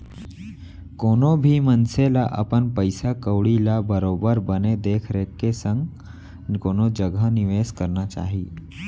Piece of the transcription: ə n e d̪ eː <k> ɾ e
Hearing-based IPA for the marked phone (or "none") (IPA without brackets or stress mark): kʰ